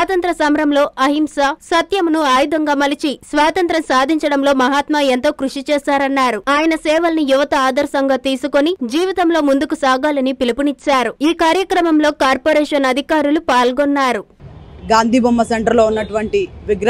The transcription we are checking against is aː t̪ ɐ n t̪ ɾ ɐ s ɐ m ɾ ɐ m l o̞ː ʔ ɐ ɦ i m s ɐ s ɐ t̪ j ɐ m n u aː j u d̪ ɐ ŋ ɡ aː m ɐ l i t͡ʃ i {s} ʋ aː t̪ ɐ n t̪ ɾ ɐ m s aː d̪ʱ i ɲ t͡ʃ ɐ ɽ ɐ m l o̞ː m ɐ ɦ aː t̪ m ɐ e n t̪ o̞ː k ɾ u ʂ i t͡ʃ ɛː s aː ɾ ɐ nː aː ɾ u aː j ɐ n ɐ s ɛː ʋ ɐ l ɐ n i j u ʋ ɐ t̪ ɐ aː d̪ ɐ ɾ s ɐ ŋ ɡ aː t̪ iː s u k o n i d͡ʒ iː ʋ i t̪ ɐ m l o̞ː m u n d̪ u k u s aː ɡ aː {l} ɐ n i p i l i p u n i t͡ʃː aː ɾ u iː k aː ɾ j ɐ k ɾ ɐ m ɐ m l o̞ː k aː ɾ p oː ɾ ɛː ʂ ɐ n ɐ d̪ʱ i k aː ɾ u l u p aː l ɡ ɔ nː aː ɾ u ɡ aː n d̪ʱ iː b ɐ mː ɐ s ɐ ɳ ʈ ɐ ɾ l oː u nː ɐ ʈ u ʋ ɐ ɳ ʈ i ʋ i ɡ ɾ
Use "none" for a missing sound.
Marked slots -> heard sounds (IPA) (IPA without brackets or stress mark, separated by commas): s, l